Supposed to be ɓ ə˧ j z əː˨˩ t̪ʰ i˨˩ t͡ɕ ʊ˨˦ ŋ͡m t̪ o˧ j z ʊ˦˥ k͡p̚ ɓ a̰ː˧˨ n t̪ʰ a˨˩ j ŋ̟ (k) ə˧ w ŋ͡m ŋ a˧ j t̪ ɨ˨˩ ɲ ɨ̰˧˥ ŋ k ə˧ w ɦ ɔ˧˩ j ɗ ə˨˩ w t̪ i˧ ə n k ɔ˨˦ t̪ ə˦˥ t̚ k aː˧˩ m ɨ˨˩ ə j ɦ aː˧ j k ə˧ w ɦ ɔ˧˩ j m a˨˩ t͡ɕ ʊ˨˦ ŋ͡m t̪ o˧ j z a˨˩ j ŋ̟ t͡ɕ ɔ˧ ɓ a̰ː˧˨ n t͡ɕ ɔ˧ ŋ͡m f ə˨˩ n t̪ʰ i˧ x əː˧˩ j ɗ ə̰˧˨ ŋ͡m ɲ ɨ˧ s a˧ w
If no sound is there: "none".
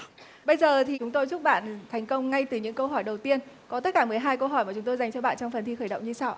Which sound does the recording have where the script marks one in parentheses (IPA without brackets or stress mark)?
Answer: k